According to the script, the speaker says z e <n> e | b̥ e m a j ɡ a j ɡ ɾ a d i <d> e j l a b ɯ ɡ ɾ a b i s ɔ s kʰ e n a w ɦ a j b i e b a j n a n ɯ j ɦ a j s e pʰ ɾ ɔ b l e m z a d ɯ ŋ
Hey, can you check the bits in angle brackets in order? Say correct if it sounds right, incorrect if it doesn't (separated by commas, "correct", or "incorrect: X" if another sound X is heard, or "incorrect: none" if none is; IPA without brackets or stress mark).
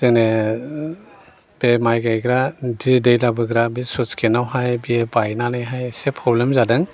correct, correct